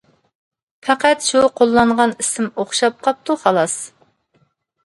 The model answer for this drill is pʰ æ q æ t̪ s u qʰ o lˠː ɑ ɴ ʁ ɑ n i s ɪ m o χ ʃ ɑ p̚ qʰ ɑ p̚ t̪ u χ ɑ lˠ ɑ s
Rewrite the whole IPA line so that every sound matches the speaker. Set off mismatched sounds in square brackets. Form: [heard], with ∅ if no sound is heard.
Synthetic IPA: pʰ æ q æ t̪ [ʃ] u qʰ o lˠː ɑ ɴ ʁ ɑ n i s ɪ m o χ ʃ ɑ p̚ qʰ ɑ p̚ t̪ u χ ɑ lˠ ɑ s